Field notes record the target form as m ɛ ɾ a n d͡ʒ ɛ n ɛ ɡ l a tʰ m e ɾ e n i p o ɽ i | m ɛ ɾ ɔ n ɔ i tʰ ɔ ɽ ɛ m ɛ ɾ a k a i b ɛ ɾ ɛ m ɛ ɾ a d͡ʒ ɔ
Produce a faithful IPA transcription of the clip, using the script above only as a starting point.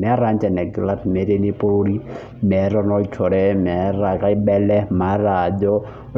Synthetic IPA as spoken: m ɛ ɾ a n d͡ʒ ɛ n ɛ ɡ l a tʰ m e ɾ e n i p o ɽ i | m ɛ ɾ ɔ n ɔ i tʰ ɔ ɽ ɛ m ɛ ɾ a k a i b ɛ l ɛ m a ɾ a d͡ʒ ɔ